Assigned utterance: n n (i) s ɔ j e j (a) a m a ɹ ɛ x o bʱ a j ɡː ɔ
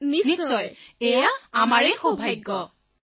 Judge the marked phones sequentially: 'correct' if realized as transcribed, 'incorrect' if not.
correct, correct

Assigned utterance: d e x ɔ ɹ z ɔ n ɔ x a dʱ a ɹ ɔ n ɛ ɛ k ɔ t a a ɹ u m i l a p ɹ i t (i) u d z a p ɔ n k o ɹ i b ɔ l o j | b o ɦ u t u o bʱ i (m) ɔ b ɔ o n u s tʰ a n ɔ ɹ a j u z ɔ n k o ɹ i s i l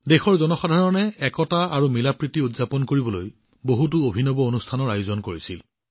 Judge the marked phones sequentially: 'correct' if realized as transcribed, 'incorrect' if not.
correct, incorrect

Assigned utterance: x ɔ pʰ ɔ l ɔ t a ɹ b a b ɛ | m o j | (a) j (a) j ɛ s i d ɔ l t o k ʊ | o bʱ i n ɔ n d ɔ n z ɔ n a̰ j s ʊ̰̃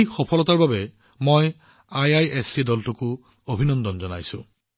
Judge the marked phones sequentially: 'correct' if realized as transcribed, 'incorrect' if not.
correct, correct

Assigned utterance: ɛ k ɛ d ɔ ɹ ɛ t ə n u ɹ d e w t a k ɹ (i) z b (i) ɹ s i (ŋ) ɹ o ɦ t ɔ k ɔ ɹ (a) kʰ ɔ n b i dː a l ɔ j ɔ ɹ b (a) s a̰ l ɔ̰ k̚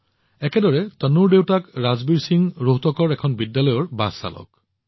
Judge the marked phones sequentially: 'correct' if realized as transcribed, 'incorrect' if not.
incorrect, correct, correct, incorrect, correct

